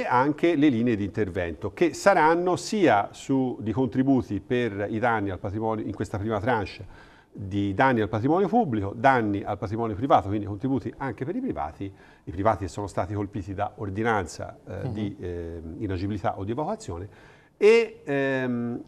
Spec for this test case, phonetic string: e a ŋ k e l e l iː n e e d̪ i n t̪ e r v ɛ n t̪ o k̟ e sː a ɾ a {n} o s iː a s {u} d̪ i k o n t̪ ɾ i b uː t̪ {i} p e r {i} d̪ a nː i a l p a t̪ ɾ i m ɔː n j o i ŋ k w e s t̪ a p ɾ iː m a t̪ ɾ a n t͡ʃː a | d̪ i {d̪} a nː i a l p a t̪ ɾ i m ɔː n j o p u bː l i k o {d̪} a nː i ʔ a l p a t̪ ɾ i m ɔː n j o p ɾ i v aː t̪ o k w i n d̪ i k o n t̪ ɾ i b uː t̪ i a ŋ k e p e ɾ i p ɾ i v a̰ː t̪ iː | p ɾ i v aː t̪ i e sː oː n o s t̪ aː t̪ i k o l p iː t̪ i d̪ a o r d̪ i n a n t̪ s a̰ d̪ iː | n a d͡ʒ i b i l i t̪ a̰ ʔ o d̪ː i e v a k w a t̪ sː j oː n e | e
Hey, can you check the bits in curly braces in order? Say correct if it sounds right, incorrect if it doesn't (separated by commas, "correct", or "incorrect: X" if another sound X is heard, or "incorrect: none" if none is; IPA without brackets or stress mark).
incorrect: nː, correct, correct, correct, correct, correct